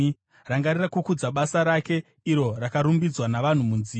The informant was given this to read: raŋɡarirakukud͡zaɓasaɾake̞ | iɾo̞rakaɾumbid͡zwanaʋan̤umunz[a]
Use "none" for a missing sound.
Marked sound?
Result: i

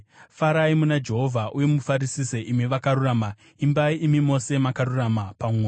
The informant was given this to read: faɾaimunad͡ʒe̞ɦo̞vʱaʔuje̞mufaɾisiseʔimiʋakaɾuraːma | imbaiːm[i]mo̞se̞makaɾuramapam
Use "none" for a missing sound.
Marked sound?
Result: i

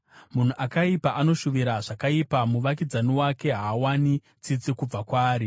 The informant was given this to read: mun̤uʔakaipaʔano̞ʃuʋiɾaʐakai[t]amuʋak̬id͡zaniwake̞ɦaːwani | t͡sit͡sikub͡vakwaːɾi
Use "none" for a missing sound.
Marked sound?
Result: p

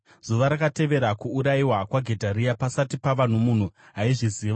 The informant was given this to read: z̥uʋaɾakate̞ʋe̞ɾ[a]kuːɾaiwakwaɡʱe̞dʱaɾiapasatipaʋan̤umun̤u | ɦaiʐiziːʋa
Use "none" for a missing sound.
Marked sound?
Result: a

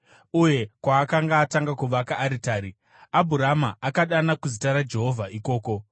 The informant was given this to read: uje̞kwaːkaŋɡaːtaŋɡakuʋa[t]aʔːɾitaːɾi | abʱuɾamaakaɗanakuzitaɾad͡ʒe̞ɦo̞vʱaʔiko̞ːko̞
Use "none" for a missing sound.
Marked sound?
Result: k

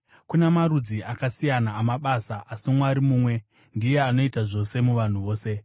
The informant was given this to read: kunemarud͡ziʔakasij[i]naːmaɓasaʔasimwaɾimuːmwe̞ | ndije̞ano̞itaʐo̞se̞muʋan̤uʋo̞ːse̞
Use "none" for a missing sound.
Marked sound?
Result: a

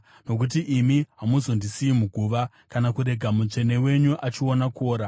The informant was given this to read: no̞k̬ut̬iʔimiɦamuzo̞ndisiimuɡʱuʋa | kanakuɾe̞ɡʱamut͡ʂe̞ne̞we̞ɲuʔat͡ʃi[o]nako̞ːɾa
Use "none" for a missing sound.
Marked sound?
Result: o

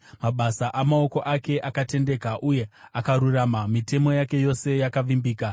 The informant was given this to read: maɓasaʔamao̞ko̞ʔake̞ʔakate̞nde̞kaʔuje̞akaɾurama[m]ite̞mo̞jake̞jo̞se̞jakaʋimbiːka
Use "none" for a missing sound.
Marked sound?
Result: m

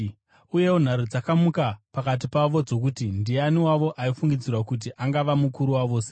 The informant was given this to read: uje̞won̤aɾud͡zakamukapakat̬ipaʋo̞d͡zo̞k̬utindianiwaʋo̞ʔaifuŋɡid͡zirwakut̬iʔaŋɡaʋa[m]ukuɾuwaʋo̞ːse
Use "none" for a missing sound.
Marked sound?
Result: m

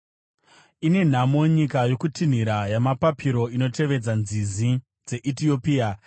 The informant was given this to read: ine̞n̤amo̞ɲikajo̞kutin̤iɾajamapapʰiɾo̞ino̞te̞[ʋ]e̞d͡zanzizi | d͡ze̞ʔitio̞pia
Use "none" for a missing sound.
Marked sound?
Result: ʋ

